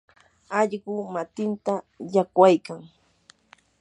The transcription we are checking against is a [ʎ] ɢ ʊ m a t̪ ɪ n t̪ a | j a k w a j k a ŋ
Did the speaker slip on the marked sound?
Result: no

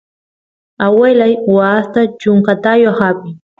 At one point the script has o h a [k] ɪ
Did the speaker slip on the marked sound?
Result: yes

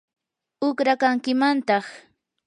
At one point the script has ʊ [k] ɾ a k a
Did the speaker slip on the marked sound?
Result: no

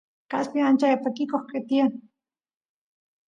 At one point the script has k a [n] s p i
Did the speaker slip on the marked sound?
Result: yes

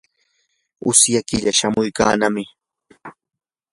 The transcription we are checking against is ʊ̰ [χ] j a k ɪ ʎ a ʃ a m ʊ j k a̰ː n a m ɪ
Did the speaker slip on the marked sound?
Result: yes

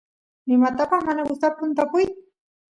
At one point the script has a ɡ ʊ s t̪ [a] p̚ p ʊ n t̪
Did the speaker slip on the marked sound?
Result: no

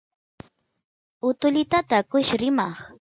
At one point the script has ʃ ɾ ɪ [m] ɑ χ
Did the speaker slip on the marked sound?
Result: no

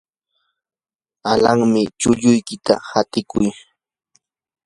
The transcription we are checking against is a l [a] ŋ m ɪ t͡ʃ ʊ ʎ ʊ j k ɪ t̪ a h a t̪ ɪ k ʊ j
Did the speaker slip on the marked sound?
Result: no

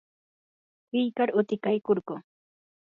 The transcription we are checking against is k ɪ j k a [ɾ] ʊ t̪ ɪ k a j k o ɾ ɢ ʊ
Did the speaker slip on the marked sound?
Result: no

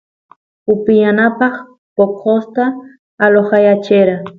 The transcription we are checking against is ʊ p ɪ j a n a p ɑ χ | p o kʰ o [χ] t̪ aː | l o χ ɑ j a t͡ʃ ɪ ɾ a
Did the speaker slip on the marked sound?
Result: yes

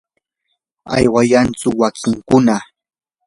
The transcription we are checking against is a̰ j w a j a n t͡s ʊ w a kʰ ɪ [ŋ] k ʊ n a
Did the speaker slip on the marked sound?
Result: no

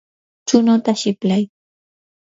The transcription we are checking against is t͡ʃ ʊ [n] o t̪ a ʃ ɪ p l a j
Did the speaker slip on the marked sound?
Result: no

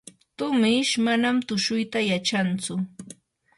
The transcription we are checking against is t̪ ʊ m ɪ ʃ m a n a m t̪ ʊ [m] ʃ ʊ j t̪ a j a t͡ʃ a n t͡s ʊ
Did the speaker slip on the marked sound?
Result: yes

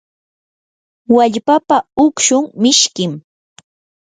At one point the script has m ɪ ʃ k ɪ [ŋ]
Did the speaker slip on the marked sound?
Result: yes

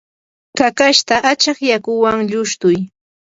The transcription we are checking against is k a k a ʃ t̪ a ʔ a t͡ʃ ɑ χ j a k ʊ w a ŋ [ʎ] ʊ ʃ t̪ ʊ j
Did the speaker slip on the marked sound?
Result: no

